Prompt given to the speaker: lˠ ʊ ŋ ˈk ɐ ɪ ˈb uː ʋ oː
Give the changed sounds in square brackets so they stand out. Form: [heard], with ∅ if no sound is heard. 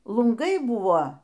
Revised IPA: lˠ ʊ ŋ [ˈɡ] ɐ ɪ ˈb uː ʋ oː